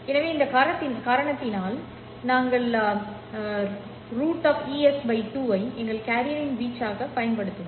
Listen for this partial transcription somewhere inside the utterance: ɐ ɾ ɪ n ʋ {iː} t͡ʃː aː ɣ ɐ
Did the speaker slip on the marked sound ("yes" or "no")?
no